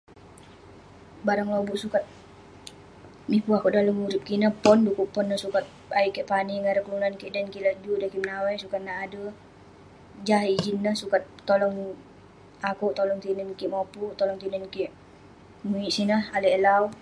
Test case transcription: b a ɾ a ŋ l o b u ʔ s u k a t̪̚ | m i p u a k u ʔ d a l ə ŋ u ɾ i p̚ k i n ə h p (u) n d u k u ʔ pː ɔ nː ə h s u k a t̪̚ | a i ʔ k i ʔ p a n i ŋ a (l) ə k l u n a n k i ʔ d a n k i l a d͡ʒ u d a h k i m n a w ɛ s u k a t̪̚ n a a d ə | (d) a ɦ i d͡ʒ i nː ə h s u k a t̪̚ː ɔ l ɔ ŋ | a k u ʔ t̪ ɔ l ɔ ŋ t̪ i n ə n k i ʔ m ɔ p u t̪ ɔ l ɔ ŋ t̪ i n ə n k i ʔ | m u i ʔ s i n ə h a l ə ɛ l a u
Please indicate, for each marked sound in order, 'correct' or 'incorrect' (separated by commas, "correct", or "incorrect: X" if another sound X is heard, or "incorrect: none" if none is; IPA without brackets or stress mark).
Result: incorrect: ɔ, incorrect: ɾ, incorrect: d͡ʒ